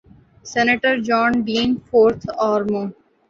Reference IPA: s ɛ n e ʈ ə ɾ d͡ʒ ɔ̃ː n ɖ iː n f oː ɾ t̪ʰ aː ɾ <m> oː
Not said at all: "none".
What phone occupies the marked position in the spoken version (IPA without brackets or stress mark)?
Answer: m